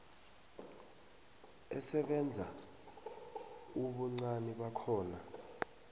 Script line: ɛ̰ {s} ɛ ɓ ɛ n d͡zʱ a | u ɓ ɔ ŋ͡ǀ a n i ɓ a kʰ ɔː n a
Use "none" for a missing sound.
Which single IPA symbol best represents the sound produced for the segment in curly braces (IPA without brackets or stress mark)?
s